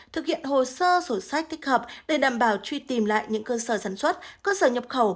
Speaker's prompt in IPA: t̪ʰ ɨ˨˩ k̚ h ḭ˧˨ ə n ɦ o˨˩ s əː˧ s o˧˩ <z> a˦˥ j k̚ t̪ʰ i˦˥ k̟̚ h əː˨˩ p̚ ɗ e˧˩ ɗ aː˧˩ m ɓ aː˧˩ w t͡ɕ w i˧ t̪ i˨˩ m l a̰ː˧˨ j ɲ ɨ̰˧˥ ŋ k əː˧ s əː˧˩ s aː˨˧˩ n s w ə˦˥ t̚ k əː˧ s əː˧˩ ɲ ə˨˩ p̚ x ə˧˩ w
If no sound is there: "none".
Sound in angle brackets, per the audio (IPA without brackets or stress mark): s